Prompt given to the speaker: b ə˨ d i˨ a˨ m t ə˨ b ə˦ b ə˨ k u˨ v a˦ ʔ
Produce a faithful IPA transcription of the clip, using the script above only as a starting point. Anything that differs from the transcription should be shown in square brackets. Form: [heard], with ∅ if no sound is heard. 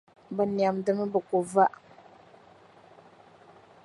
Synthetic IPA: b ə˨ [n] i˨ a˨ m [d] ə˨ [m] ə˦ b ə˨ k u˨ v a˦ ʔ